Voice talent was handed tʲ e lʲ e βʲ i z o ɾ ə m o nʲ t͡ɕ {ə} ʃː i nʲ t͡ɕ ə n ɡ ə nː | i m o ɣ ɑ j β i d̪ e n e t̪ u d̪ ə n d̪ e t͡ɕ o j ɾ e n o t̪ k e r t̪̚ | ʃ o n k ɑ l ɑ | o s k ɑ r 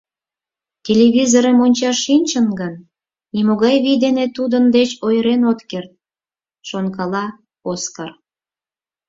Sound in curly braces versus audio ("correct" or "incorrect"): incorrect